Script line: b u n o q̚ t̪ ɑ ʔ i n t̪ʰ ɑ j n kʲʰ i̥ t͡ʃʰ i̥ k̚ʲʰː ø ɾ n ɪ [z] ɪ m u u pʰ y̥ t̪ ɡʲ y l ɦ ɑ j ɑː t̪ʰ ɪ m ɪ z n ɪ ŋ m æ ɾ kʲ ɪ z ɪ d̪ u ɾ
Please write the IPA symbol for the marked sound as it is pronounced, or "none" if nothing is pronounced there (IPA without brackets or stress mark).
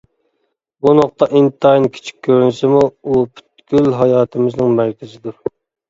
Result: s